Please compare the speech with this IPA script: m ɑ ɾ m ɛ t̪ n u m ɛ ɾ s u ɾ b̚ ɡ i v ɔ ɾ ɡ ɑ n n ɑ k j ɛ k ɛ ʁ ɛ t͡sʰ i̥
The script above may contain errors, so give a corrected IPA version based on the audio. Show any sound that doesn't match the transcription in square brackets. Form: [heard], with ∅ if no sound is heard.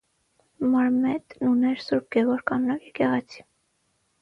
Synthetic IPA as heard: m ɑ ɾ m ɛ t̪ n u [n] ɛ ɾ s u ɾ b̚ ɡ [ɛ] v ɔ ɾ [k] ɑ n n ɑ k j ɛ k ɛ ʁ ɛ t͡sʰ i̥